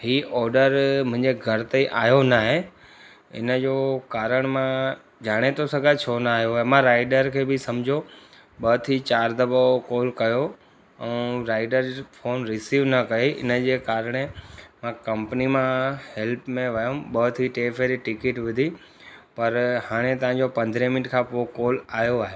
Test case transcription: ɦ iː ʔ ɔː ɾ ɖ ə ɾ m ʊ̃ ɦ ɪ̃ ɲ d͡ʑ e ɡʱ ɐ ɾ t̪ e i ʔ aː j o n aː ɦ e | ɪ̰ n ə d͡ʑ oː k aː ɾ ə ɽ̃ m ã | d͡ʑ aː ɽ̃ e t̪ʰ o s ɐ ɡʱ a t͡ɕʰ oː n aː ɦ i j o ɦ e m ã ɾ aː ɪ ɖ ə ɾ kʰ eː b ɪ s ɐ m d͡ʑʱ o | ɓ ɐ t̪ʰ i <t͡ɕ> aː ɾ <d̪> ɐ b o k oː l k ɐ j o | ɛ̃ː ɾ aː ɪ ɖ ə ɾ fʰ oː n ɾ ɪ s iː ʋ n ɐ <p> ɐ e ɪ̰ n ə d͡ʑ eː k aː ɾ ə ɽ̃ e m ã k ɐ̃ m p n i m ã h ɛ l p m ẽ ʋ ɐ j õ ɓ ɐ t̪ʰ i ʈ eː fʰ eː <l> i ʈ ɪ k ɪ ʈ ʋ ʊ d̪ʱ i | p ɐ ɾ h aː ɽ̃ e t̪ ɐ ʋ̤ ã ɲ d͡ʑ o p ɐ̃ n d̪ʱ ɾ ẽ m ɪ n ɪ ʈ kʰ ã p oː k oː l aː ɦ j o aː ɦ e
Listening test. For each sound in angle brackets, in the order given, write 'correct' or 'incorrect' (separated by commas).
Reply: correct, correct, incorrect, incorrect